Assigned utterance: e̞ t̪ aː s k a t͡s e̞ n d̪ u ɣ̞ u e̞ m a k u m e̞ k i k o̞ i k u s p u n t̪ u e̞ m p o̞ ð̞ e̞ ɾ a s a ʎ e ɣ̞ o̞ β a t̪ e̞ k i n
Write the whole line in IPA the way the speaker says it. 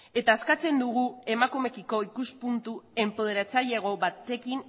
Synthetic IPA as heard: e̞ t̪ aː s k a t͡s e̞ n d̪ u ɣ̞ u e̞ m a k u m e̞ k i k o̞ i k u s p u n t̪ u e̞ m p o̞ ð̞ e̞ ɾ a t͡s a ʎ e ɣ̞ o̞ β a t̪ e̞ k i n